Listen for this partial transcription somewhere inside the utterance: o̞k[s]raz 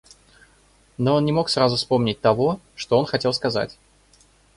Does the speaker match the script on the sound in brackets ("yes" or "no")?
yes